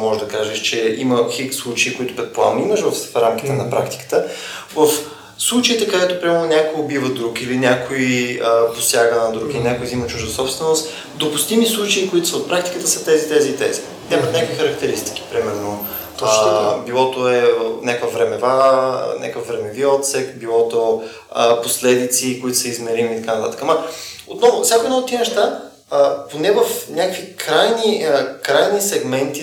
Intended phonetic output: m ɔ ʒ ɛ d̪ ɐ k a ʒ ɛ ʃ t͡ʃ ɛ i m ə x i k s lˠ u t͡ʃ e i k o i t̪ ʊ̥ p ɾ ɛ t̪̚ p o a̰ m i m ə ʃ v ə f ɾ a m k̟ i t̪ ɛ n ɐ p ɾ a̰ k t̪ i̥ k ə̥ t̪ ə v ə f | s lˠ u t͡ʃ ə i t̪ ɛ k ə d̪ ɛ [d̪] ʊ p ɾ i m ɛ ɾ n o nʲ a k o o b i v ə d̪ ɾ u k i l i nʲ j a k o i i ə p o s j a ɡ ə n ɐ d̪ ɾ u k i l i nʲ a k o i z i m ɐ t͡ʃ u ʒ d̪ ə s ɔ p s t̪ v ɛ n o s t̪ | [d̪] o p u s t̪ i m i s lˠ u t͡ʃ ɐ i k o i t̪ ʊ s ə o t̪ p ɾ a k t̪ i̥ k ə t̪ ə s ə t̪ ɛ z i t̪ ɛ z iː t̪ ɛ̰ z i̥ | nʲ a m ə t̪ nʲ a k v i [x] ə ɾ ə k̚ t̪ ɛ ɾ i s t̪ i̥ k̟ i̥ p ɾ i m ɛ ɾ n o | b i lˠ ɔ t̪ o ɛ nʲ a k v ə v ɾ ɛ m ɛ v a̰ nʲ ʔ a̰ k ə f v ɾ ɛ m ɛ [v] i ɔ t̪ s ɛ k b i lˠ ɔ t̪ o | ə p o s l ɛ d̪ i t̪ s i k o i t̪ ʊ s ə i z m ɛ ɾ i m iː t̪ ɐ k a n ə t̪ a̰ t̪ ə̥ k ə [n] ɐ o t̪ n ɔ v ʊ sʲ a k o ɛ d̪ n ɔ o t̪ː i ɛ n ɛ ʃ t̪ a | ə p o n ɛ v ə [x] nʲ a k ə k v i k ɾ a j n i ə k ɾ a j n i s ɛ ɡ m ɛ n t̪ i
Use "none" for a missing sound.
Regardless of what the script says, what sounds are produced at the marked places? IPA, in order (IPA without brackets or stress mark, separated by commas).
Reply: t̪, d̪, x, v, m, f